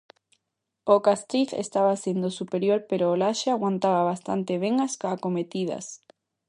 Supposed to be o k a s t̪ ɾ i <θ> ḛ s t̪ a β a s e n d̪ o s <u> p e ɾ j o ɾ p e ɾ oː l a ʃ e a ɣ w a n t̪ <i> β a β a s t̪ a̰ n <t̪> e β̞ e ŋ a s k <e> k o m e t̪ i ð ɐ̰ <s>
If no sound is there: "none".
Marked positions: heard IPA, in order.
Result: θ, u, a, t̪, a, s

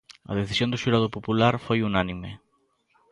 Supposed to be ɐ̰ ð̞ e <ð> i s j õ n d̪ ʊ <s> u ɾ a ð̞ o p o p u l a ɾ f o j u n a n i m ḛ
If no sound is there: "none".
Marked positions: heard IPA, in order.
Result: θ, ʃ

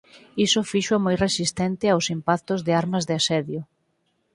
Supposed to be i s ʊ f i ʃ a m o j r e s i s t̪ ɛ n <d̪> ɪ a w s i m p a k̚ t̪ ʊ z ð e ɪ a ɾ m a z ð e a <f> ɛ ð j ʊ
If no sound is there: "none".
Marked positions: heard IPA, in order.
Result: t̪, s

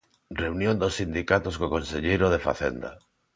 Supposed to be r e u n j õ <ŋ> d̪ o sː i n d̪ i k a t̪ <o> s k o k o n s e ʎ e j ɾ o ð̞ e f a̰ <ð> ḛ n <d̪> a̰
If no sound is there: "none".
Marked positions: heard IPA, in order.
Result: n, o, θ, d̪

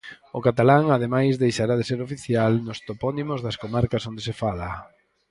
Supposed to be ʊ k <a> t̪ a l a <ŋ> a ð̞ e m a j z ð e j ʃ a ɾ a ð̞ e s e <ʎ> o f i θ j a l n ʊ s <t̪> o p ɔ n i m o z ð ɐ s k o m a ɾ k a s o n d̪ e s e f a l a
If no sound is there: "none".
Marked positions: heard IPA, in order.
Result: a, ŋ, ɾ, t̪

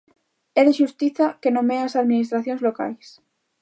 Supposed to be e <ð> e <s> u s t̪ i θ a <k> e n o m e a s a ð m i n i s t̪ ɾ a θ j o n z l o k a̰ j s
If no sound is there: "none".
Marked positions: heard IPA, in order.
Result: ð, ʃ, k

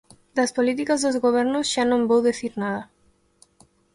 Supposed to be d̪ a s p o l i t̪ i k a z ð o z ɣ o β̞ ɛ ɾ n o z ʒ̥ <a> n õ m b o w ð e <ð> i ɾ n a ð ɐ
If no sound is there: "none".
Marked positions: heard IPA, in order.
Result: a, θ

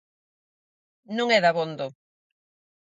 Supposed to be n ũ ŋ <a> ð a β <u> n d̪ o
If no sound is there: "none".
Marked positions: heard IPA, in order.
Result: ɛ, o

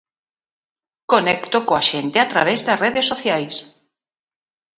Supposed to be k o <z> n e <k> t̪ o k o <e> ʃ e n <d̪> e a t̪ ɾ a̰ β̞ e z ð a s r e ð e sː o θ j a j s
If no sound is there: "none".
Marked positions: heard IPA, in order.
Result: none, k, a, t̪

